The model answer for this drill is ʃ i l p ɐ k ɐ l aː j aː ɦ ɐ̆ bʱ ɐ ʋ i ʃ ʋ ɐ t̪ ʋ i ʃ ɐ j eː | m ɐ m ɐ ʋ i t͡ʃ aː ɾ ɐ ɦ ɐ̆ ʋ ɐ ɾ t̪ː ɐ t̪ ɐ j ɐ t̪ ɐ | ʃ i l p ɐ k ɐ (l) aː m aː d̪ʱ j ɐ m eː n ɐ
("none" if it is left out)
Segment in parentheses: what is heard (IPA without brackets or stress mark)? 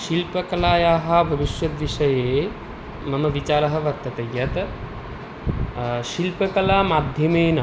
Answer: l